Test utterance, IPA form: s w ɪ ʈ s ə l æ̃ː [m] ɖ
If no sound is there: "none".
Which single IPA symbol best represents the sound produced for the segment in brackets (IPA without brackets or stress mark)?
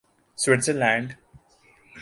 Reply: ɳ